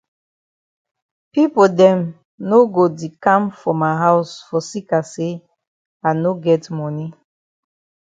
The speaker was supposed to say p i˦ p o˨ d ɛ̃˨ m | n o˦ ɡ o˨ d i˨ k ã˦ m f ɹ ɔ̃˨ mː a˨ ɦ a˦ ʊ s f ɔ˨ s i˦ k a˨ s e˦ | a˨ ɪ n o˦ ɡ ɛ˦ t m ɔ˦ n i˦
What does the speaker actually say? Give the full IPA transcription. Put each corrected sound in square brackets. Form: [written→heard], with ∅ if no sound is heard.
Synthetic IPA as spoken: p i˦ p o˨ d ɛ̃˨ m | n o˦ ɡ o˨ d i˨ k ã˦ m f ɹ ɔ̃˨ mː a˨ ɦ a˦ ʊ s f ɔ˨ s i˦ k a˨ s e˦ | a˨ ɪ n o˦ ɡ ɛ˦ t m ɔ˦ n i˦